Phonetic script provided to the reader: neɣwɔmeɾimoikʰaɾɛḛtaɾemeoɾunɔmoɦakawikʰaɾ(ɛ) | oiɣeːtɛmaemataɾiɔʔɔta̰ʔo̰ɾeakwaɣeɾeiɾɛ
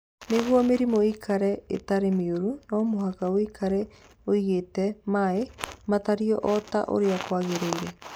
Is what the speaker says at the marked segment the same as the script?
yes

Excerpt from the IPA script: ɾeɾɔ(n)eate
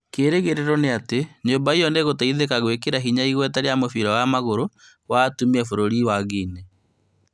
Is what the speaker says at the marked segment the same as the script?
yes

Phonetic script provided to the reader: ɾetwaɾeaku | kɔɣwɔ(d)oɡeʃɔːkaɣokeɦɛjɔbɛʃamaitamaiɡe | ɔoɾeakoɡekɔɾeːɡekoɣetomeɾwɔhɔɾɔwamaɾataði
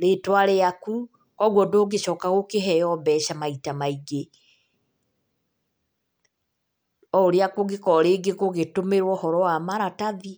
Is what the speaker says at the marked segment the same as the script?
yes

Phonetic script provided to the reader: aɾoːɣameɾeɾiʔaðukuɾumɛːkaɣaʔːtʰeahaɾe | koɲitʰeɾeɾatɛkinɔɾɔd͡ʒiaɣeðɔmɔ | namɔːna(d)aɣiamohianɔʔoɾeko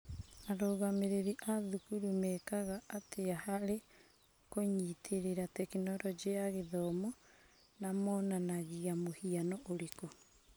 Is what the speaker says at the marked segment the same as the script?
no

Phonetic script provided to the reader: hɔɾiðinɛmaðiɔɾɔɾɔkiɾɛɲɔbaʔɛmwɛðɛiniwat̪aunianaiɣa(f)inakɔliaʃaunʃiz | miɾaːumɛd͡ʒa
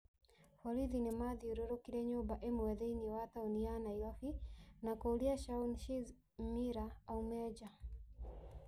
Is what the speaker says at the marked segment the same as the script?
yes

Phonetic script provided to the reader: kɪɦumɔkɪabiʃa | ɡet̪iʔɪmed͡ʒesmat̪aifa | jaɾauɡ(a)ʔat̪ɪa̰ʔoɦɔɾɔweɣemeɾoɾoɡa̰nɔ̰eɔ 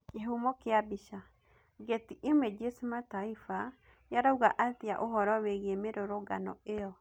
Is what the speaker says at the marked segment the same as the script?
yes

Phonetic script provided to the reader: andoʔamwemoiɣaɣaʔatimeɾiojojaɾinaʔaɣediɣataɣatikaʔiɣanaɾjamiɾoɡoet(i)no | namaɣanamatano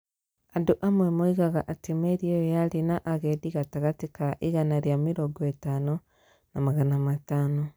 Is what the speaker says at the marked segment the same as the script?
no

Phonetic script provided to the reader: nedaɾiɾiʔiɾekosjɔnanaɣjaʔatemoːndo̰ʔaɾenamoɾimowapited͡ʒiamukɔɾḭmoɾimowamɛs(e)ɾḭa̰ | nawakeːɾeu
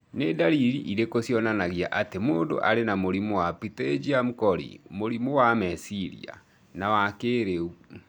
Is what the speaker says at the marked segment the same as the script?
no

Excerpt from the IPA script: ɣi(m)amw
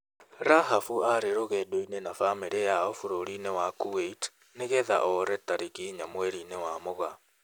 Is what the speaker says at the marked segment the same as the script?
no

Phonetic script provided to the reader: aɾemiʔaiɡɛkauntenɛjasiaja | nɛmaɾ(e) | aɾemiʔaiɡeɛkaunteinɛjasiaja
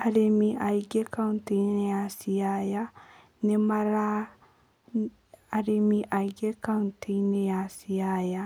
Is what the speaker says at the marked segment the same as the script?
no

